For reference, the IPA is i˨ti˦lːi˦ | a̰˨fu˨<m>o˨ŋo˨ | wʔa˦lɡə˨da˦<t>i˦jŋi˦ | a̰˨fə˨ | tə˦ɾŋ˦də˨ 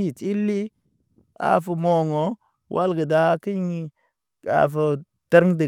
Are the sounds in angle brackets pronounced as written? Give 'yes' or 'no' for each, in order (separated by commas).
yes, no